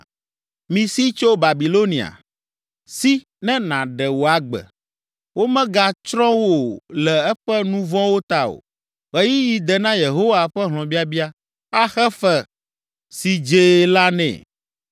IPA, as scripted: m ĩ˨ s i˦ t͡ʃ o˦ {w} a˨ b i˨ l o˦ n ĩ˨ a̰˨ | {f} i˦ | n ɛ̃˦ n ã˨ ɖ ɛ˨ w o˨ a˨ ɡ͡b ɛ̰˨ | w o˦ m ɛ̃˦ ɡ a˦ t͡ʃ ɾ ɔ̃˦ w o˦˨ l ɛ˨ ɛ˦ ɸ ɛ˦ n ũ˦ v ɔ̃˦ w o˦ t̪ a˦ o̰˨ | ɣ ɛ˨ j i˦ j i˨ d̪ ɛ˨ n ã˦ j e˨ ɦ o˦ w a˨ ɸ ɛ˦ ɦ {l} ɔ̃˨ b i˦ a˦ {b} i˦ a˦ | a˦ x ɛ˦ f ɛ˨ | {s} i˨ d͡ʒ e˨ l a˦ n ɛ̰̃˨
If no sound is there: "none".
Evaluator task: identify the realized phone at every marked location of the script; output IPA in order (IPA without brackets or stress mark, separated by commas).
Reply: b, s, l, b, s